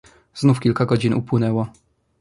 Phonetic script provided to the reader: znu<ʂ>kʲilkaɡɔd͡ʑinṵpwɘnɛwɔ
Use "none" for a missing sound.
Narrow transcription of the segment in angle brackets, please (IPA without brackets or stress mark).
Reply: f